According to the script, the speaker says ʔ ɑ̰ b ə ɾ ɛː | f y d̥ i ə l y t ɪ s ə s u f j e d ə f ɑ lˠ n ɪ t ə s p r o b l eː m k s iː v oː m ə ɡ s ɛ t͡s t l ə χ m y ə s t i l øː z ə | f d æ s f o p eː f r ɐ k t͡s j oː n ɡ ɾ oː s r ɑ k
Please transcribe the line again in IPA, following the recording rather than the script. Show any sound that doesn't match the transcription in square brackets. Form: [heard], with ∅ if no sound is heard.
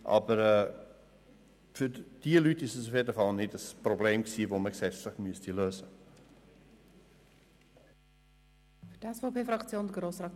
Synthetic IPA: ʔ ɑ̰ b ə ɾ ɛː | f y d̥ i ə l y t ɪ s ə s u f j e d ə f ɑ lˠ n ɪ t ə s p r o b l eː m k s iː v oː m ə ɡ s ɛ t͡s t l ə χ m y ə s t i l øː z ə | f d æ s f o p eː f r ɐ k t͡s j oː n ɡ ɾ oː s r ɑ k